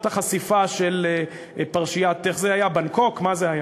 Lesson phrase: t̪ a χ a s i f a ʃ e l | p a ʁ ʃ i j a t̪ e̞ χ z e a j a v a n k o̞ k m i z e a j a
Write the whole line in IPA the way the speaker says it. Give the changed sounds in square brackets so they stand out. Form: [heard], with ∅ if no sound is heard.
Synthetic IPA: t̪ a χ a s i f a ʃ e l | p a ʁ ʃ i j a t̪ e̞ χ z e a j a [b] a n k o̞ k m [a] z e a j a